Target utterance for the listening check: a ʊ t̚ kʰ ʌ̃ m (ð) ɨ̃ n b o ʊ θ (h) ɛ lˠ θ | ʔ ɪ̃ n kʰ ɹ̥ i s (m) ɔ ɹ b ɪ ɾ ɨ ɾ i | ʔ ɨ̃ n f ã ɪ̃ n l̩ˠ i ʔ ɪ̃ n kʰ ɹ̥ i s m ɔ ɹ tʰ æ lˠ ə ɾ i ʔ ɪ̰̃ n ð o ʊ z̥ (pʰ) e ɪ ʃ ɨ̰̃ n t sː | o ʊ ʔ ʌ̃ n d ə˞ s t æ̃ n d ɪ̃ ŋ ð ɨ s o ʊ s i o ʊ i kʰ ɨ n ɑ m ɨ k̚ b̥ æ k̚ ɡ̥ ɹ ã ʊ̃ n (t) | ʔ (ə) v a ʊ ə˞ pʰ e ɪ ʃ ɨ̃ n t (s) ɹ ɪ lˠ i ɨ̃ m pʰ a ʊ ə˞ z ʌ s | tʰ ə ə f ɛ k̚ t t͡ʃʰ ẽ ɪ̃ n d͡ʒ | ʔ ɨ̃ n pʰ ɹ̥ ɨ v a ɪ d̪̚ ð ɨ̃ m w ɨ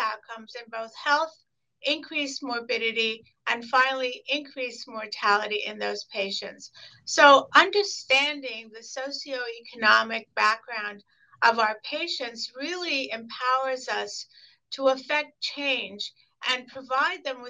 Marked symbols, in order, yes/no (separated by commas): no, yes, yes, yes, no, no, yes